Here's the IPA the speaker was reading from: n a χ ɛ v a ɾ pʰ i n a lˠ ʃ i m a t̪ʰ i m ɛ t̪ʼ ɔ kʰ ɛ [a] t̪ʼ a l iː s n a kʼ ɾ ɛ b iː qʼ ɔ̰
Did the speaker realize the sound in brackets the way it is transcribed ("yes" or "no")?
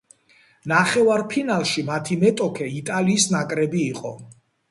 no